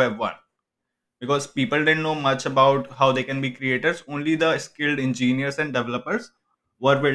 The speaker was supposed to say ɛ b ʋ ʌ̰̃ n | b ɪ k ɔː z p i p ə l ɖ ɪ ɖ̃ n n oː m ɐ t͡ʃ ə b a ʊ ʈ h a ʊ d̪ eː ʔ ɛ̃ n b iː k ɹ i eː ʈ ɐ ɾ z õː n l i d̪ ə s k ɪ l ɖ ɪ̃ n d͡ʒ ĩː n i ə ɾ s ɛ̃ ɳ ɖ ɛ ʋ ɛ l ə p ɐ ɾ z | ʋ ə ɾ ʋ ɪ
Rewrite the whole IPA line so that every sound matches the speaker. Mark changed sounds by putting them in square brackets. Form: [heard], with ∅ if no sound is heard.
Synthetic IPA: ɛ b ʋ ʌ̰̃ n | b ɪ k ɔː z p [iː] p ə l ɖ ɪ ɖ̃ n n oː m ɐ t͡ʃ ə b a ʊ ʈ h a ʊ d̪ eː [k] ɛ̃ n b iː k [ɾ] i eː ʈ [ə] ɾ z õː n l i d̪ ə s k ɪ l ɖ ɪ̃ n d͡ʒ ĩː n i ə ɾ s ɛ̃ ɳ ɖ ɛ ʋ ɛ l ə p [ə] ɾ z | ʋ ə ɾ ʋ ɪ